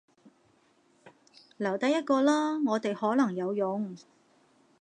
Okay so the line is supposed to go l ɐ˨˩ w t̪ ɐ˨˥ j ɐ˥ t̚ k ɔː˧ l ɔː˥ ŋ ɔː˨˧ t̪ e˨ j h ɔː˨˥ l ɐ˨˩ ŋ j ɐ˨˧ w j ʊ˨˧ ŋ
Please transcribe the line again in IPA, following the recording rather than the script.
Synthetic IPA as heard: l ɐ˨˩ w t̪ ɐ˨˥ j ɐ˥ t̚ k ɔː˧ l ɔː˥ ŋ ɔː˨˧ t̪ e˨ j h ɔː˨˥ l ɐ˨˩ ŋ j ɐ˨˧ w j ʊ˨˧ ŋ